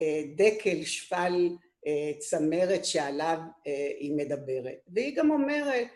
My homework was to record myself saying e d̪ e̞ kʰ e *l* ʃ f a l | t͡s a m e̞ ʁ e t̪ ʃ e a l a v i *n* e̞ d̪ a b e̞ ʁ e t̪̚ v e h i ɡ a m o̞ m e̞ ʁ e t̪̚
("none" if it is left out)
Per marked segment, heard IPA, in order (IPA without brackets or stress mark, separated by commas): l, m